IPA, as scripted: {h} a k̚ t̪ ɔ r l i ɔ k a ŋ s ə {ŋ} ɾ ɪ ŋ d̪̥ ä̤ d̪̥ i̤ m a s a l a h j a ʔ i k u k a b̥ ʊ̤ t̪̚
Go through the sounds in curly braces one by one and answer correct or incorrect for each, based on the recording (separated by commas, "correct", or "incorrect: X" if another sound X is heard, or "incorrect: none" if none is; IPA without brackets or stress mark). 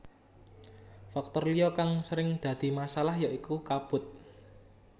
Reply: incorrect: f, incorrect: none